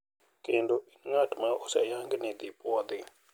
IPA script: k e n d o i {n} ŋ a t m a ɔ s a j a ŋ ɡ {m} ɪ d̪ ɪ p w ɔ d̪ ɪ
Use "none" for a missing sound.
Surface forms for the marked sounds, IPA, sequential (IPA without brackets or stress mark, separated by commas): n, n